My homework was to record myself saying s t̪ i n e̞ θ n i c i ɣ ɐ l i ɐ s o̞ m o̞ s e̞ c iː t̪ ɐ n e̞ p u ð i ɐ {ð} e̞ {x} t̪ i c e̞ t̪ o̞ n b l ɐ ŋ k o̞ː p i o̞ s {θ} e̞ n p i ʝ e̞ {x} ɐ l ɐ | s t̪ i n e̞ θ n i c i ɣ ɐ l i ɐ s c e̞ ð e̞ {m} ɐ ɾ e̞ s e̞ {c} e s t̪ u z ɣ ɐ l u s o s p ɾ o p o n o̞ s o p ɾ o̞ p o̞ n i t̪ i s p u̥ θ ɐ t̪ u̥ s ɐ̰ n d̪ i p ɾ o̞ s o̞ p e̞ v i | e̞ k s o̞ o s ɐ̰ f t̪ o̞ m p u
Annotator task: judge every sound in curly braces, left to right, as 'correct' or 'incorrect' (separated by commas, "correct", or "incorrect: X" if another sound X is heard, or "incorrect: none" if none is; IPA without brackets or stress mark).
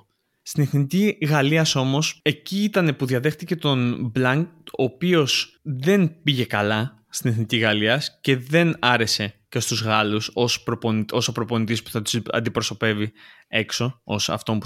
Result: correct, correct, incorrect: ð, incorrect: k, incorrect: n, correct